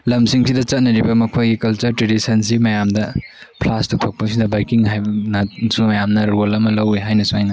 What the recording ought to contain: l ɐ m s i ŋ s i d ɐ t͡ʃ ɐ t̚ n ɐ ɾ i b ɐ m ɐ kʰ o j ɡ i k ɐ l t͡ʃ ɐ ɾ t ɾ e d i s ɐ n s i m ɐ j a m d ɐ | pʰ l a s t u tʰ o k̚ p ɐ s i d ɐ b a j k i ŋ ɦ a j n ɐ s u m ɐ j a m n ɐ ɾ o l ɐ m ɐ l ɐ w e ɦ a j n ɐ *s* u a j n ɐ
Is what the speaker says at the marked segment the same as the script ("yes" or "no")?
yes